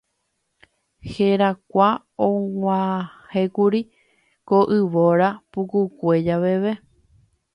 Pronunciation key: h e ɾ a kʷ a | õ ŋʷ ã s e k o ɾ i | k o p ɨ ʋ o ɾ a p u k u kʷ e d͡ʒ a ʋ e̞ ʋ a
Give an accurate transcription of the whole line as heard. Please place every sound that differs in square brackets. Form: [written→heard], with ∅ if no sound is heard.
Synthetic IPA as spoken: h e ɾ a kʷ a | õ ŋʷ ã [s→h] e k [o→u] ɾ i | k o [p→ʔ] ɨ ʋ o ɾ a p u k u kʷ e d͡ʒ a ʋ e̞ ʋ [a→e]